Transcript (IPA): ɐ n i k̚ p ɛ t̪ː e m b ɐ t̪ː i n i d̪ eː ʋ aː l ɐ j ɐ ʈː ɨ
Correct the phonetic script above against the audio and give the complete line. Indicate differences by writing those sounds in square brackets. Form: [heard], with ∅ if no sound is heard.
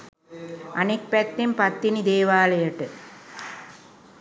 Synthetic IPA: ɐ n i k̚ p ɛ t̪ː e m [p] ɐ t̪ː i n i d̪ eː ʋ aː l ɐ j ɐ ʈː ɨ